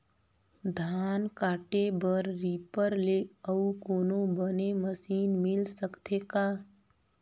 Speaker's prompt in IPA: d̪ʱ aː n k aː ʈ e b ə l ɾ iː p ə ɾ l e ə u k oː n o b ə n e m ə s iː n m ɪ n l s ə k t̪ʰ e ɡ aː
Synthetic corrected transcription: d̪ʱ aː n k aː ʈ e b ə ɾ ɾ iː p ə ɾ l e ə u k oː n o b ə n e m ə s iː n m ɪ l s ə k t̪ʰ e k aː